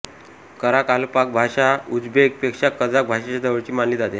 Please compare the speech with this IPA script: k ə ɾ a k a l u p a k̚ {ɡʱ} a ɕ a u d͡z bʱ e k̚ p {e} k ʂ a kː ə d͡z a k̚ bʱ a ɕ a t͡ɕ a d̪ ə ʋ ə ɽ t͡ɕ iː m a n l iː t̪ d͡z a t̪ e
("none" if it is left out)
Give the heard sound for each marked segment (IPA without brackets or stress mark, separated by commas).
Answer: bʱ, e